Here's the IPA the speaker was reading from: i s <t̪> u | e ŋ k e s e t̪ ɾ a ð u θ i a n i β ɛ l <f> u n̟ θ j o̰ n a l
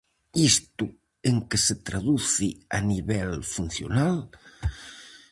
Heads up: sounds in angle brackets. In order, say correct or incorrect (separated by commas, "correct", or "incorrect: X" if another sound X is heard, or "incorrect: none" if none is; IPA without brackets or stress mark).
correct, correct